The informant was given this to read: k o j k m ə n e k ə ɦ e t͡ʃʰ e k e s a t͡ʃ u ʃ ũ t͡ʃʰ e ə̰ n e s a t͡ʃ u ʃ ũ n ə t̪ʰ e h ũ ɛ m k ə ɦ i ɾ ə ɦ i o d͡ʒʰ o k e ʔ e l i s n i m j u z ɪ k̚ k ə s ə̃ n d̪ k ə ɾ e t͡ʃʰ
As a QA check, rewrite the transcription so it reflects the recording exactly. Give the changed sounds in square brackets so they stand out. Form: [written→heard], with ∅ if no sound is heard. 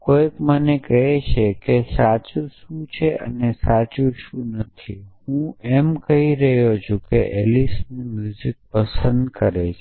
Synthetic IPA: k o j k m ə n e k ə ɦ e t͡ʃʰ e k e s a t͡ʃ u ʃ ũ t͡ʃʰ e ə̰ n e s a t͡ʃ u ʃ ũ n ə t̪ʰ [e→i] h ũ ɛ m k ə ɦ i ɾ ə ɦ [i→j] o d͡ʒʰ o k e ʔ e l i s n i m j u z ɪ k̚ [k→p] ə s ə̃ n d̪ k ə ɾ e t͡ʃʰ